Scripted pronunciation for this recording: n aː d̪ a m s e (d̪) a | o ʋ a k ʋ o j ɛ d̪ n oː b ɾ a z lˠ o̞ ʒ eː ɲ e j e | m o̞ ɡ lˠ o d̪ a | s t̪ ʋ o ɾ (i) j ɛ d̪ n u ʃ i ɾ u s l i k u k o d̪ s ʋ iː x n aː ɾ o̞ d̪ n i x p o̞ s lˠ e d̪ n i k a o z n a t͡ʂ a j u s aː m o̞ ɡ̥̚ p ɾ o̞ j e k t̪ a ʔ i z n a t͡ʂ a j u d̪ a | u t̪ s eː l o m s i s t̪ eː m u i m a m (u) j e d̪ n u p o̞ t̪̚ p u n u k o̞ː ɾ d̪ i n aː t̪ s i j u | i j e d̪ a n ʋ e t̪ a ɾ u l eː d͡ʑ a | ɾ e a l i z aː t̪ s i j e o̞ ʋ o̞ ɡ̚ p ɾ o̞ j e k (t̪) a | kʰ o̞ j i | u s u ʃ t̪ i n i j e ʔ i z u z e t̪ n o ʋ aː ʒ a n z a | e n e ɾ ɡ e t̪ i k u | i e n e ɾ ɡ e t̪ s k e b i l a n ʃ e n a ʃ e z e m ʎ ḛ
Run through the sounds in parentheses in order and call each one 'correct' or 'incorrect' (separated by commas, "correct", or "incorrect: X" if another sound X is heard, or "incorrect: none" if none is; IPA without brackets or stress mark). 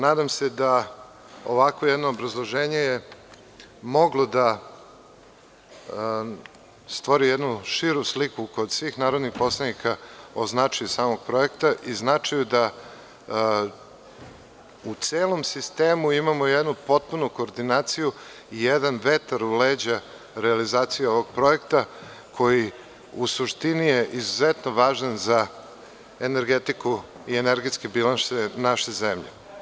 correct, correct, incorrect: o, correct